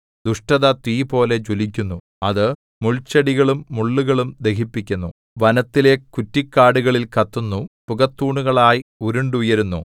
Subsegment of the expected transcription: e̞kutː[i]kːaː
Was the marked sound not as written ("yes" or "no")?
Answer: no